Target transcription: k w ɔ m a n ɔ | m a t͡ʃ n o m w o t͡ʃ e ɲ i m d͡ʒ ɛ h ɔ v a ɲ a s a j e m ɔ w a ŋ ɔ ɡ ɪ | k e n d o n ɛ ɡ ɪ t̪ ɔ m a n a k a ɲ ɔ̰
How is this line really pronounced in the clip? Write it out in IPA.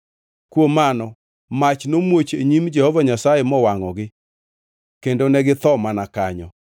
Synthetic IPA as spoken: k w o m a n ɔ | m a t͡ʃ n o m w o t͡ʃ e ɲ i m d͡ʒ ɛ h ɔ v a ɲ a s a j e m ɔ w a ŋ ɔ ɡ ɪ | k e n d o n ɛ ɡ ɪ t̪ ɔ m a n a k a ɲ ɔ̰